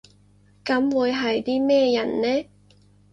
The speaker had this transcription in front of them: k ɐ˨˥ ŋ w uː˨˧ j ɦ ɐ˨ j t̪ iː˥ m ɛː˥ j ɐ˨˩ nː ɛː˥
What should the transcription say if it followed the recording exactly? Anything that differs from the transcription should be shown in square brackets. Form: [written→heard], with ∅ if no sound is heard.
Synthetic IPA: k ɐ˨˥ [ŋ→m] w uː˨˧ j ɦ ɐ˨ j t̪ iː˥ m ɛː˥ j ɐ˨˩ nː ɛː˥